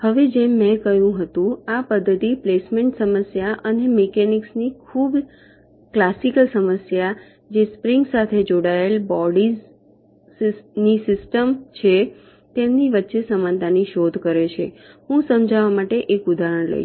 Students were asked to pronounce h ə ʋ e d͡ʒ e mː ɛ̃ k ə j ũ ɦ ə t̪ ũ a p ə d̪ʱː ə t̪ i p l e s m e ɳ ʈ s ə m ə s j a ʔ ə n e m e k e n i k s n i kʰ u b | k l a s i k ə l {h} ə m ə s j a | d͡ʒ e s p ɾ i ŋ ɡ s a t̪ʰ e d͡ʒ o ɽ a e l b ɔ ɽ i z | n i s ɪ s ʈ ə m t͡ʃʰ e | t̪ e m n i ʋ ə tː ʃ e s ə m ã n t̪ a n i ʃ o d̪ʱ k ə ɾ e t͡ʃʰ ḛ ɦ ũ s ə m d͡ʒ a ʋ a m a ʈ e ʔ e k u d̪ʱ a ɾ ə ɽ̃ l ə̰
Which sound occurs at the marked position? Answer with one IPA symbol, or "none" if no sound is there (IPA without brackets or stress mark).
s